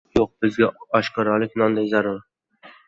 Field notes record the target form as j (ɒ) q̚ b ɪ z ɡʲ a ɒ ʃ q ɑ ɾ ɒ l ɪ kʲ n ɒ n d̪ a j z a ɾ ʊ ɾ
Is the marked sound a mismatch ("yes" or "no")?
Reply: yes